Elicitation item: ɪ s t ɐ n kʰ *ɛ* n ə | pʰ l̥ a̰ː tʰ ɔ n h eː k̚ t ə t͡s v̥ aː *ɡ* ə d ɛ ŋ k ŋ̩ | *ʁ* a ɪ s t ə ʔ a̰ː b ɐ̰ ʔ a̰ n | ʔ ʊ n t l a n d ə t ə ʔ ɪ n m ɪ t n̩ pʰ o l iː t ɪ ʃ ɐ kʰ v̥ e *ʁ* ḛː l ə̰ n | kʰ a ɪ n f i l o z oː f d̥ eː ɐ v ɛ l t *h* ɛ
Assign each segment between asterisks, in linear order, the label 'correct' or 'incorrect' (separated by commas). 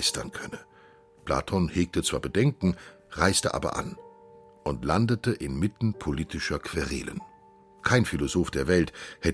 incorrect, incorrect, correct, correct, correct